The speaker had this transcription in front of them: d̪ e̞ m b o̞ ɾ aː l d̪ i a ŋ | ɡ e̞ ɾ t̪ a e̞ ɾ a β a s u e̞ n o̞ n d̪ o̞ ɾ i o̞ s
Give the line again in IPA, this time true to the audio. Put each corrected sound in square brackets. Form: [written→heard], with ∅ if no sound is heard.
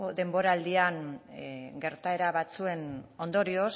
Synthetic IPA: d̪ e̞ m b o̞ ɾ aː l d̪ i a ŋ | ɡ e̞ ɾ t̪ a e̞ ɾ a β a [s→t͡s] u e̞ n o̞ n d̪ o̞ ɾ i o̞ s